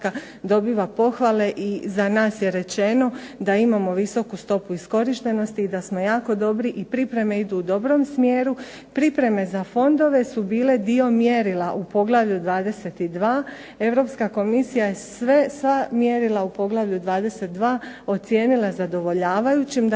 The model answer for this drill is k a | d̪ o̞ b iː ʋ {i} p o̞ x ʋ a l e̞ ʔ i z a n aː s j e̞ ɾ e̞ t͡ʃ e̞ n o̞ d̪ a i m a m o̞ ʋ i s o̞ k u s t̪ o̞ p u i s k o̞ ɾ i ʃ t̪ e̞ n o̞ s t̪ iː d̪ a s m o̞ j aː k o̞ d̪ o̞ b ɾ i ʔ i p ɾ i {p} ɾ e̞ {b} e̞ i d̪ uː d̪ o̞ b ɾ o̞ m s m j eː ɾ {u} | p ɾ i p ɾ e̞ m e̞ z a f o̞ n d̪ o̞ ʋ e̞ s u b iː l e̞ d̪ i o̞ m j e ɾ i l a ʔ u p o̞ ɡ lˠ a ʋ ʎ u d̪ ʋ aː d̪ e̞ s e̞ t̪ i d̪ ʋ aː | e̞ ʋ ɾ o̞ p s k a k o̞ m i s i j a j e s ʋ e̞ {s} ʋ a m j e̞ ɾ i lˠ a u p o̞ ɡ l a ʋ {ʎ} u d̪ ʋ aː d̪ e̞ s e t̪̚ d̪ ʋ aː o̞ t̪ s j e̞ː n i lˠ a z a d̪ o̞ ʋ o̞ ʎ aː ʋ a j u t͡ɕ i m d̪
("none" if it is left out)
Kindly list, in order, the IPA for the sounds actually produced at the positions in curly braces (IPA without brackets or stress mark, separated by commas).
a, p, m, u, s, ʎ